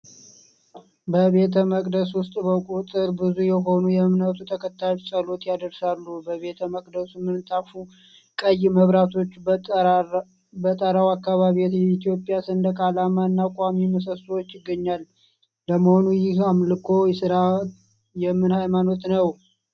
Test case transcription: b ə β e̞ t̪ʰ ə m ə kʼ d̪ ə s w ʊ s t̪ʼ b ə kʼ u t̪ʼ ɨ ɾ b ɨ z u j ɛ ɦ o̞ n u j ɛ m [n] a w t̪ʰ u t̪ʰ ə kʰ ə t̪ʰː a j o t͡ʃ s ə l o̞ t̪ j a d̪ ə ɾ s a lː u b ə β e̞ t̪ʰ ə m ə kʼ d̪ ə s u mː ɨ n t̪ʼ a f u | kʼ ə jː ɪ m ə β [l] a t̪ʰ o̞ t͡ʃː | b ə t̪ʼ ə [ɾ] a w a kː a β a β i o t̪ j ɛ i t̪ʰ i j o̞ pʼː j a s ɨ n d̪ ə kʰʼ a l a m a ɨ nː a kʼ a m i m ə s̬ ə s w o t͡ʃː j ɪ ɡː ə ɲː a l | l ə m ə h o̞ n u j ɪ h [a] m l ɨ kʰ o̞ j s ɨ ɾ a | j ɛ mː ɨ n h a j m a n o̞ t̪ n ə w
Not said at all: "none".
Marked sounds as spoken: n, ɾ, ɾ, a

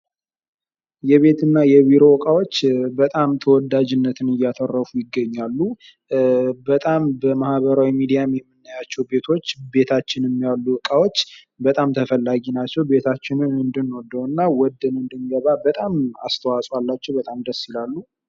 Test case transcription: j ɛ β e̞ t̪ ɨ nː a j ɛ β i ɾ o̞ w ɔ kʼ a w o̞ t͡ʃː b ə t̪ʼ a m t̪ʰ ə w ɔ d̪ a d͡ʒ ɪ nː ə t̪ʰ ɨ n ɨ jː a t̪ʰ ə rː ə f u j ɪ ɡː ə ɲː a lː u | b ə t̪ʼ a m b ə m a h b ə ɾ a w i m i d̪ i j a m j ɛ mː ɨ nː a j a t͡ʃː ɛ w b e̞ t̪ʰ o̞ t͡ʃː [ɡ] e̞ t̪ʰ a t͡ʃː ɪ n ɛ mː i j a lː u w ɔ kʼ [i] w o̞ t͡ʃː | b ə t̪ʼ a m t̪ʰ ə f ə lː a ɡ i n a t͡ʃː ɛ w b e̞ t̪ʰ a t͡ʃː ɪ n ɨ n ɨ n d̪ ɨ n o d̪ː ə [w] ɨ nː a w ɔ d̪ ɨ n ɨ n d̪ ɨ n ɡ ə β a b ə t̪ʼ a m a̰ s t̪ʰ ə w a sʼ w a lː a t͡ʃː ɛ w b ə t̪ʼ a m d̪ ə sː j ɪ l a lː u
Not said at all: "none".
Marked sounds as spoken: b, a, w

